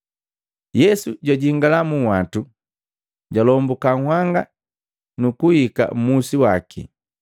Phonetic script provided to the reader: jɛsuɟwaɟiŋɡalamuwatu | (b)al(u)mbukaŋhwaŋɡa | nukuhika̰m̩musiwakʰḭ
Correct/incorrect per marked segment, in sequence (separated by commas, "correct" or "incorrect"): incorrect, incorrect